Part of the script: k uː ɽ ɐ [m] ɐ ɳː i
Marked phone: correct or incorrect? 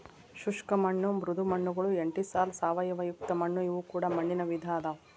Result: correct